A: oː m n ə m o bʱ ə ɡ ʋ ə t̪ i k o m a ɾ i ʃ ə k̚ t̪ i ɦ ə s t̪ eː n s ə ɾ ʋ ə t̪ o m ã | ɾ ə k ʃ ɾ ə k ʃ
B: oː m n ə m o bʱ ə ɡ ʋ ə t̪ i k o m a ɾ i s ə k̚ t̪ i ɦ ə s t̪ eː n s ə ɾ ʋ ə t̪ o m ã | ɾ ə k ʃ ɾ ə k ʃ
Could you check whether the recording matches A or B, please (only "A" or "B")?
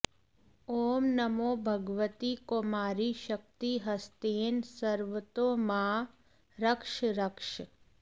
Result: A